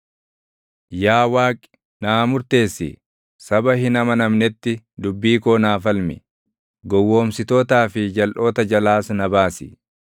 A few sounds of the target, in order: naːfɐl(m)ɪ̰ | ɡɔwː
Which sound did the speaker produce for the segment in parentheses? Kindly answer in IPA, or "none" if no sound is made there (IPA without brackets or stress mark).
m